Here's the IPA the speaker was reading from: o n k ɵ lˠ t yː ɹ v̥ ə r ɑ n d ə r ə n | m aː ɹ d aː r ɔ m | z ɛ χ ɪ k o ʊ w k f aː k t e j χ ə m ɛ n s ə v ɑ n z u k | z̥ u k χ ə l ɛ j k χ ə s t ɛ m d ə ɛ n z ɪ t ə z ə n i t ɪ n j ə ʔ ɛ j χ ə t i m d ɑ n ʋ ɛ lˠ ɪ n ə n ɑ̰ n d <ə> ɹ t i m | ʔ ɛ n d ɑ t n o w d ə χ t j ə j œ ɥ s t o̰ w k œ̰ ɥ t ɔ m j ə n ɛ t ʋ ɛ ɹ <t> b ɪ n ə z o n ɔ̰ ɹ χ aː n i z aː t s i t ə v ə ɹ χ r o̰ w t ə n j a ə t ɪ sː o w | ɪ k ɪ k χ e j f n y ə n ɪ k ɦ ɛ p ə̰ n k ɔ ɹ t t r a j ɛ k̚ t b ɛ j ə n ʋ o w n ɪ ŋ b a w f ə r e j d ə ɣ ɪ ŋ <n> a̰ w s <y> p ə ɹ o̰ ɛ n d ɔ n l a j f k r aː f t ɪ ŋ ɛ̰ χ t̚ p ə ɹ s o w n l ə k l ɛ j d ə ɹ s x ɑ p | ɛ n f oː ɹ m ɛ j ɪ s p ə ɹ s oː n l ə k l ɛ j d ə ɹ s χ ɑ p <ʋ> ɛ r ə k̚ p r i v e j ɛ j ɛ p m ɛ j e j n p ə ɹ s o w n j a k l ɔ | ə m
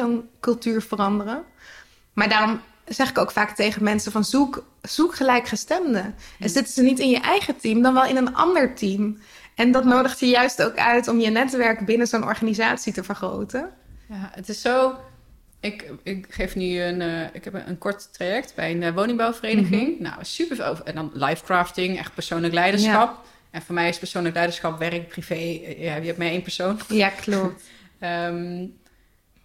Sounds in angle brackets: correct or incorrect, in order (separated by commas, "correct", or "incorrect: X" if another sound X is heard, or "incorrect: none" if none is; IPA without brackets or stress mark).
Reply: correct, incorrect: k, correct, correct, correct